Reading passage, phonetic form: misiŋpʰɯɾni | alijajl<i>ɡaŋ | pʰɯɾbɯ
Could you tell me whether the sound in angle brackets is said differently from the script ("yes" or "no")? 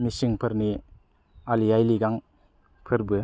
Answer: no